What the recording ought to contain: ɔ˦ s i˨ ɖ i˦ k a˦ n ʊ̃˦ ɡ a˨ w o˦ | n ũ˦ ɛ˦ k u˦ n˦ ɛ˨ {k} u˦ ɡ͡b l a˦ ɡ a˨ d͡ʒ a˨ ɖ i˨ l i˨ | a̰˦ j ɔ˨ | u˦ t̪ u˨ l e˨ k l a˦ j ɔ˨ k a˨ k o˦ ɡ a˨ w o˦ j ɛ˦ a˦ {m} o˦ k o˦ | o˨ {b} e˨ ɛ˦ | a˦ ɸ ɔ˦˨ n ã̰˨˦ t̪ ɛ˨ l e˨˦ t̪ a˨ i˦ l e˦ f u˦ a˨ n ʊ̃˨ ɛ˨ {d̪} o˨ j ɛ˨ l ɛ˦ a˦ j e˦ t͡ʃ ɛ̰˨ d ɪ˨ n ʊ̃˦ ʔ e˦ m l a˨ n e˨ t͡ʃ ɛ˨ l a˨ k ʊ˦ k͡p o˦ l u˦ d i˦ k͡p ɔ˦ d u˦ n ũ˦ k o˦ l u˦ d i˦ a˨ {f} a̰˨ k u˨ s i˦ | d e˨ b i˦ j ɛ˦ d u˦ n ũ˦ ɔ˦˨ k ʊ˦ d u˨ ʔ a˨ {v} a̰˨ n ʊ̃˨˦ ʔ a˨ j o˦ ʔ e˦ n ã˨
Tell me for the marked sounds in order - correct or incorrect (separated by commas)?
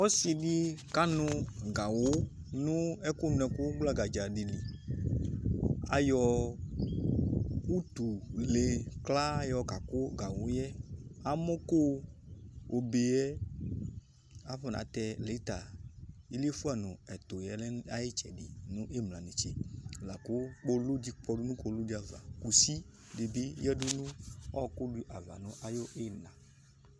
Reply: correct, correct, correct, incorrect, incorrect, correct